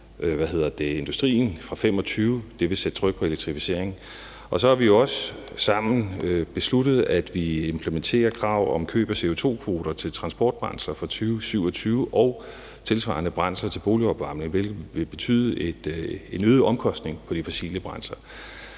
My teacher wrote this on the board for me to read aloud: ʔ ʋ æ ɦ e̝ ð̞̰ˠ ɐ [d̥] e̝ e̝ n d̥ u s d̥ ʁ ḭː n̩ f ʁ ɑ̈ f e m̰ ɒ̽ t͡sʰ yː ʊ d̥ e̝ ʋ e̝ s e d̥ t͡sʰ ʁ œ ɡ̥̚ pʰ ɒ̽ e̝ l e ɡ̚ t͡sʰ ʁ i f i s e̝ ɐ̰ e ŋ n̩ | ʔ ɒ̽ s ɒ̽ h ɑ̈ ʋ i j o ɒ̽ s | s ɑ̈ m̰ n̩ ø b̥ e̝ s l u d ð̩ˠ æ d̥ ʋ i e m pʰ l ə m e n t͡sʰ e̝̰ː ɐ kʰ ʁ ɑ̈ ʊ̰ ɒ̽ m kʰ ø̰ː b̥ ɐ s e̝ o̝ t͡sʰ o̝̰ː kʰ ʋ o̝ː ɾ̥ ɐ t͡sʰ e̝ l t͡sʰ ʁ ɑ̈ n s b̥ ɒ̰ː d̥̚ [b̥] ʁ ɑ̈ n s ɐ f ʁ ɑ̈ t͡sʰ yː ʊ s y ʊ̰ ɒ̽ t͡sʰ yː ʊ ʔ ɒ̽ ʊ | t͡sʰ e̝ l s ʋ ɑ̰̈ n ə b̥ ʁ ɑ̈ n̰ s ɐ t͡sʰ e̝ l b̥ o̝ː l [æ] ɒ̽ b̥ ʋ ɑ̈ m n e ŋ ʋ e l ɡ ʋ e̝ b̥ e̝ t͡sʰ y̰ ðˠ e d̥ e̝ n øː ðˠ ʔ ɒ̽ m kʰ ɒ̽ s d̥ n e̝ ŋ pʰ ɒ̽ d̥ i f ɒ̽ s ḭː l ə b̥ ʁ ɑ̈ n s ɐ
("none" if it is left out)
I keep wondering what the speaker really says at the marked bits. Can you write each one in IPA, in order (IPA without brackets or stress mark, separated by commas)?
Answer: d̥, b̥, i